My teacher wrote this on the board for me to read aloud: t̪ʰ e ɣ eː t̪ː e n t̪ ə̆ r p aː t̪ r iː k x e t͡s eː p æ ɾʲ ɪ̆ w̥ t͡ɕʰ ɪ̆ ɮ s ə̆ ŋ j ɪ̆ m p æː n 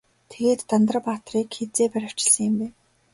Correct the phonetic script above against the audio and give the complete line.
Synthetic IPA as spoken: t̪ʰ e ɣ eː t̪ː a n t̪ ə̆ r p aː t̪ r iː k x e t͡s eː p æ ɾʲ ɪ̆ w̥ t͡ɕ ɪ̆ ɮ s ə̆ ŋ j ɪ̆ m p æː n

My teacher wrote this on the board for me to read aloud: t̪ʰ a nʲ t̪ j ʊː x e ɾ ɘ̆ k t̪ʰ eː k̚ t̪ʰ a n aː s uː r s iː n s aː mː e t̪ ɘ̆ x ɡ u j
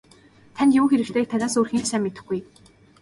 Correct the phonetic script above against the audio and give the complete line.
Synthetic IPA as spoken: t̪ʰ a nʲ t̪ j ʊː x e ɾ ɘ̆ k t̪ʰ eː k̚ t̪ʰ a n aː s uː r x iː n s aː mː e t̪ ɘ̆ x ɡ u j

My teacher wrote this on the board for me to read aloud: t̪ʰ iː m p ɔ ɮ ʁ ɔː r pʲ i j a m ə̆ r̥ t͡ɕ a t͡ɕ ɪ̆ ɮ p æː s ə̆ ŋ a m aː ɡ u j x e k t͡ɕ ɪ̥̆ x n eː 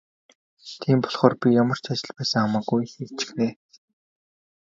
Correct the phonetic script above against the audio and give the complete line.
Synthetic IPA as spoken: t̪ʰ iː m p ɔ ɮ χ ɔː r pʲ i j a m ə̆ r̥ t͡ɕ a t͡ɕ ɪ̆ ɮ p æː s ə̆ ŋ a m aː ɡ u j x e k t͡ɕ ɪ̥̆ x n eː

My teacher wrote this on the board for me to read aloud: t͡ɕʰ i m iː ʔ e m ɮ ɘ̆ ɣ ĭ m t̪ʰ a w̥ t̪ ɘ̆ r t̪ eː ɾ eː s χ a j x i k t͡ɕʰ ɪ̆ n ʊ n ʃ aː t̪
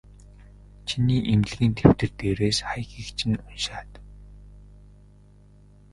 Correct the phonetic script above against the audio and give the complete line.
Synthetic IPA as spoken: t͡ɕʰ i n iː ʔ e m ɮ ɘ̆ ɣ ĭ n t̪ʰ e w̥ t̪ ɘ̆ r t̪ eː ɾ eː s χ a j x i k t͡ɕʰ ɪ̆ n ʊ n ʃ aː t̪

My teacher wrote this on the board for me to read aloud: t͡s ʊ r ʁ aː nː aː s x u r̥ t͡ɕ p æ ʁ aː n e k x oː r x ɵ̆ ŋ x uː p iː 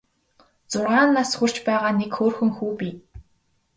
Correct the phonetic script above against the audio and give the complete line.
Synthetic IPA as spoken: t͡s ʊ r ʁ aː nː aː s x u r̥ t͡ɕ p æː ʁ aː n e k x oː r x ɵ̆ ŋ x uː p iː

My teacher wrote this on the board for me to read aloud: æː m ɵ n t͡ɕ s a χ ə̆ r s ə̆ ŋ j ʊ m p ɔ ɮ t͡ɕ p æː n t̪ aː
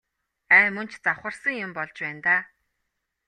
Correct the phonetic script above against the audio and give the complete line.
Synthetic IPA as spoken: æː m ɵ n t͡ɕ t͡s a χ ə̆ r s ə̆ ŋ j ʊ m p ɔ ɮ t͡ɕ p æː n t̪ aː

